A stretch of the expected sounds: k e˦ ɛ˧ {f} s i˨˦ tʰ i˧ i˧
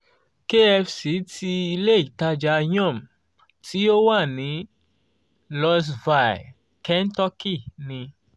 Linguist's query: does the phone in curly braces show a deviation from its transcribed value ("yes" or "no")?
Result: no